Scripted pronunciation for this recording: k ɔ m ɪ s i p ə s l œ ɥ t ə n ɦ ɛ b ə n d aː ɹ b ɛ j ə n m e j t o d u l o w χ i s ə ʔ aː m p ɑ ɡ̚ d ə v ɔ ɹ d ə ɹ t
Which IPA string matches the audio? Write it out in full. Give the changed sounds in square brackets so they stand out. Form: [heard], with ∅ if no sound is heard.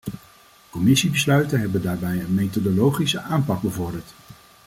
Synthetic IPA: k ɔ m ɪ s i [b] ə s l œ ɥ t ə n ɦ ɛ b ə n d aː ɹ b ɛ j ə n m e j t o d [o] l o w χ i s ə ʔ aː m p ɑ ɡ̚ [b] ə v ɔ ɹ d ə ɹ t